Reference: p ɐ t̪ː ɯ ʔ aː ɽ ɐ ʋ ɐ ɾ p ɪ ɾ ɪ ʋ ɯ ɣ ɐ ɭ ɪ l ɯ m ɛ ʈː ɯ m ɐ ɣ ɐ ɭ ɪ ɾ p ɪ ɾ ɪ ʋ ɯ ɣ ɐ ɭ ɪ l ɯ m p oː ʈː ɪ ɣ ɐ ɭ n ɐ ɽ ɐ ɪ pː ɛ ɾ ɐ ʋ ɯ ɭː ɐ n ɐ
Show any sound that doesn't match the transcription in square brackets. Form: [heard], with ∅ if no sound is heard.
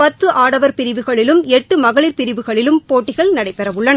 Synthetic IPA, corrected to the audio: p ɐ t̪ː ɯ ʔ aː ɽ ɐ ʋ ɐ ɾ p ɪ ɾ ɪ ʋ ɯ ɣ ɐ ɭ ɪ l ɯ m ɛ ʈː ɯ m ɐ ɣ ɐ ɭ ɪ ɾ p ɪ ɾ ɪ ʋ ɯ ɣ ɐ ɭ ɪ l ɯ m p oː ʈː ɪ ɣ ɐ ɭ n ɐ ɽ ɐ ɪ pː ɛ ɾ ɐ ʋ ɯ ɭː ɐ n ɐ